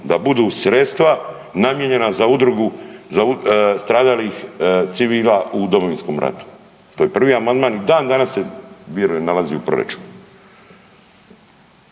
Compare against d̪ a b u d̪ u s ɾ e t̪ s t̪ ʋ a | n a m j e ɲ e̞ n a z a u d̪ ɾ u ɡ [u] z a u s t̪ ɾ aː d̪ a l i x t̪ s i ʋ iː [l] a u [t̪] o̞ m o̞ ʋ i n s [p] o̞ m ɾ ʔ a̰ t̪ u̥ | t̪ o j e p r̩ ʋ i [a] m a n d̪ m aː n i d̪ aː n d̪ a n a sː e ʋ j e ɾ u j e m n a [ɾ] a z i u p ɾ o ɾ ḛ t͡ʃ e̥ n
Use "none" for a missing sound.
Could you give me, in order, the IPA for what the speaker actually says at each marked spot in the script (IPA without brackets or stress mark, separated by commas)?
u, l, d̪, k, a, l